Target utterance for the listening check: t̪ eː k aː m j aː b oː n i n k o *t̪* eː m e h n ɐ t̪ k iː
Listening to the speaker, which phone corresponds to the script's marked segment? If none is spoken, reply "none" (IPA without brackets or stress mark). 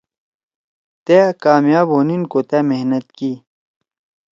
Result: t̪